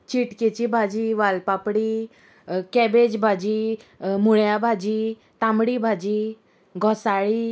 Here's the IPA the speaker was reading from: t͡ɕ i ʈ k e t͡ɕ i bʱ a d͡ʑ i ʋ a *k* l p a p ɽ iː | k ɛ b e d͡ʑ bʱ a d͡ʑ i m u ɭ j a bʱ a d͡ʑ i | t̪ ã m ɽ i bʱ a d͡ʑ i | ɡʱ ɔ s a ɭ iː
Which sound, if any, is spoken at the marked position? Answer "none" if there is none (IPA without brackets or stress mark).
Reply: none